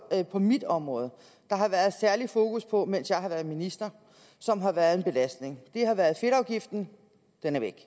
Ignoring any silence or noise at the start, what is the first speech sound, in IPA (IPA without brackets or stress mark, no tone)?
pʰ